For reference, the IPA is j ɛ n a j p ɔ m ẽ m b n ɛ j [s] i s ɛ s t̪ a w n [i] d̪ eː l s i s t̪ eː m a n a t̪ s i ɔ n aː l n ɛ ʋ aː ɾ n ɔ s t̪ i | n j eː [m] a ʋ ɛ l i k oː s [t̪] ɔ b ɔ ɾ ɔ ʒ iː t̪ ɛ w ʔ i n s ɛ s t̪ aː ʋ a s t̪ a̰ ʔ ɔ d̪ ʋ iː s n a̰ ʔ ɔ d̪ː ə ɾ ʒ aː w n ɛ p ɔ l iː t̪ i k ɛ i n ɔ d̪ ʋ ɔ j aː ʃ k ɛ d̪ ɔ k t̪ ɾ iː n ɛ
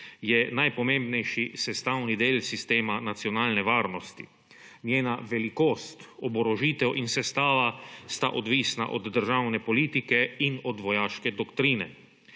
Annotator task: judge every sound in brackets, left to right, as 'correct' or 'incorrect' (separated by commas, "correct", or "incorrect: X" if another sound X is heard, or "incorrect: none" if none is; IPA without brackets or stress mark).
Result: incorrect: ʃ, correct, incorrect: n, correct